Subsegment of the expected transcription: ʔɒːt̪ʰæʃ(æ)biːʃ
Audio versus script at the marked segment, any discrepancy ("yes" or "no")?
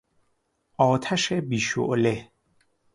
yes